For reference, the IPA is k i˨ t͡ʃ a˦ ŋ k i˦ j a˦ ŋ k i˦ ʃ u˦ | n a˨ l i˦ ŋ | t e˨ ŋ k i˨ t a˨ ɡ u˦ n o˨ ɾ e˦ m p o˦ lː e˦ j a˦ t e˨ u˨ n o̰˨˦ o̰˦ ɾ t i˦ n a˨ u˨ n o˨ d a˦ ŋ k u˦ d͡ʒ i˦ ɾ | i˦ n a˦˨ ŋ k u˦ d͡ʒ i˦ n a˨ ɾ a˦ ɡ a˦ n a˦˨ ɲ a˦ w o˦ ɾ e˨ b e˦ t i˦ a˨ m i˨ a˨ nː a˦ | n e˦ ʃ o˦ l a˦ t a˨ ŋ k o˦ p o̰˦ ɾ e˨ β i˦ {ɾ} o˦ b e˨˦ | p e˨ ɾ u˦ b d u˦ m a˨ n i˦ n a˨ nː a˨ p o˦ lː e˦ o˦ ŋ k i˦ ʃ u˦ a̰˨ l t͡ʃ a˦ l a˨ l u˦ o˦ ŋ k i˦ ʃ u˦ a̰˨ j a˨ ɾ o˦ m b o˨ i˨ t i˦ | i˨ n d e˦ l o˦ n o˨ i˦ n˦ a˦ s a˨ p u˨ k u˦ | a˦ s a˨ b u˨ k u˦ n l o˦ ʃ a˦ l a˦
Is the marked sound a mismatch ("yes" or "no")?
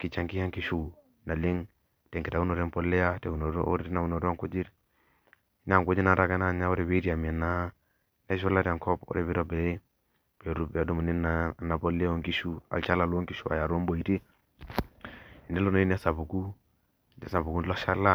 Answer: no